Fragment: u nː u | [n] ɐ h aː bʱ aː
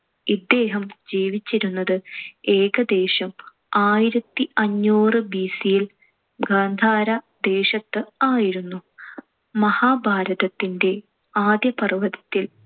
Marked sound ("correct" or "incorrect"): incorrect